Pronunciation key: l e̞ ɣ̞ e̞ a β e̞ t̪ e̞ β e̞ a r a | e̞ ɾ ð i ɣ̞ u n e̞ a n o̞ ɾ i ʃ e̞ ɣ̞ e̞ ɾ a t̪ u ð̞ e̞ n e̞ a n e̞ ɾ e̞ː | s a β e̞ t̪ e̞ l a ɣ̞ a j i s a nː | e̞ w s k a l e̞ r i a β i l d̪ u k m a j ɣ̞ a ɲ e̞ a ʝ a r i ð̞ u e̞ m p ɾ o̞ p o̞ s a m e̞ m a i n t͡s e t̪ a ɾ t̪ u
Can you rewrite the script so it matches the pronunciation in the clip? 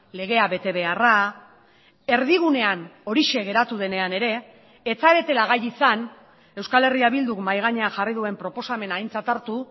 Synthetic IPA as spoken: l e̞ ɣ̞ e̞ a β e̞ t̪ e̞ β e̞ a r a | e̞ ɾ ð i ɣ̞ u n e̞ a n o̞ ɾ i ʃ e̞ ɣ̞ e̞ ɾ a t̪ u ð̞ e̞ n e̞ a n e̞ ɾ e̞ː | t͡s a β e̞ t̪ e̞ l a ɣ̞ a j i s a n | e̞ w s k a l e̞ r i a β i l d̪ u k m a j ɣ̞ a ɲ e̞ a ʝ a r i ð̞ u e̞ m p ɾ o̞ p o̞ s a m e̞ n a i n t͡s a t̪ a ɾ t̪ u